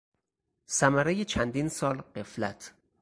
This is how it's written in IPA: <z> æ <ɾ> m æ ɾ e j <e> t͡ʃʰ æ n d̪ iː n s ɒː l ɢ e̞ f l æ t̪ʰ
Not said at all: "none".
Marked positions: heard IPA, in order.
s, none, e

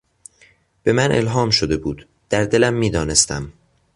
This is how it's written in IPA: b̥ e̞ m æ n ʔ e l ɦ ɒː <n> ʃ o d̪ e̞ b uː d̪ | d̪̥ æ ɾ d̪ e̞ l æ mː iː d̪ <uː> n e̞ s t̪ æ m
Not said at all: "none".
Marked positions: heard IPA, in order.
m, ɒː

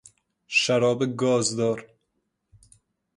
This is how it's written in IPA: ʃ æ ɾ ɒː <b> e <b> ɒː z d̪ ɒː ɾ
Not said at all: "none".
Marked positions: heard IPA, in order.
b, ɡ

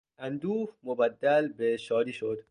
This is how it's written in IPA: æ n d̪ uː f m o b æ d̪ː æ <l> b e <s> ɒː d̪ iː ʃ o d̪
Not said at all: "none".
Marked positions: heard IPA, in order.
l, ʃ

